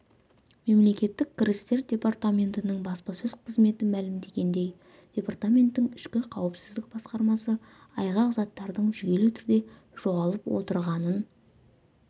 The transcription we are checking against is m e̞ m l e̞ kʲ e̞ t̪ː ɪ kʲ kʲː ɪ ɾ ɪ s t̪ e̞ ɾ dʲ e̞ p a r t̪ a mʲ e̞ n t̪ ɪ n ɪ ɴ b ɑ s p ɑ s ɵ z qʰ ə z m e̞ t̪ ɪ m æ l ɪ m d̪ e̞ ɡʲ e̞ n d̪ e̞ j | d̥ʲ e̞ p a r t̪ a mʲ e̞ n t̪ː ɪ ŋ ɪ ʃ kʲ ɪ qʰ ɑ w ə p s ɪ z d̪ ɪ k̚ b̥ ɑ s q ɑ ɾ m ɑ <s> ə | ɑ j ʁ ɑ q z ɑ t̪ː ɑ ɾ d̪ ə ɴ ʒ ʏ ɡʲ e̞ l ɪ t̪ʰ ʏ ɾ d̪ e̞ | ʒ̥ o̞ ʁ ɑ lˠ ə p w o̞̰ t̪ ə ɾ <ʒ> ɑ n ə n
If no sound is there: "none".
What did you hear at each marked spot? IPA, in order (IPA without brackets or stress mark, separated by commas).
s, ʁ